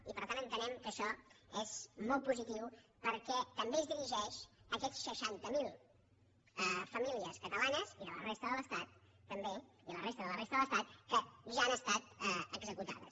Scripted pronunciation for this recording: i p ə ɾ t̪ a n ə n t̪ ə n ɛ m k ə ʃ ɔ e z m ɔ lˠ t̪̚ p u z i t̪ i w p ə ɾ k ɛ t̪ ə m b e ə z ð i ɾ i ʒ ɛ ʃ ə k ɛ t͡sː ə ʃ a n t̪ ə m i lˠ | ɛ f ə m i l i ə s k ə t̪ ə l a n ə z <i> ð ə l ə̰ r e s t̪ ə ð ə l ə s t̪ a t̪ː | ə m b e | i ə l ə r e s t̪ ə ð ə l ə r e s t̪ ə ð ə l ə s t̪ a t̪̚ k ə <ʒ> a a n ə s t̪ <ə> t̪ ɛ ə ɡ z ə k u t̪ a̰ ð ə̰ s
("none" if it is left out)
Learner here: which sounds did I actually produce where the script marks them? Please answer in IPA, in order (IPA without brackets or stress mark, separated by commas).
i, ʒ, a